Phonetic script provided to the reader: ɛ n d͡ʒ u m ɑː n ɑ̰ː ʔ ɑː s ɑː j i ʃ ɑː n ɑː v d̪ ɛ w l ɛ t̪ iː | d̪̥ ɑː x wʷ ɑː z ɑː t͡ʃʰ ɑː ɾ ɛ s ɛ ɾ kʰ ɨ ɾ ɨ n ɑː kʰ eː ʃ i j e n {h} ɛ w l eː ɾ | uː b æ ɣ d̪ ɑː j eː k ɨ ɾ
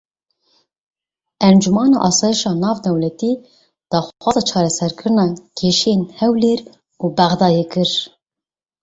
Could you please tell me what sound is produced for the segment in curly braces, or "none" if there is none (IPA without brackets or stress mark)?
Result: h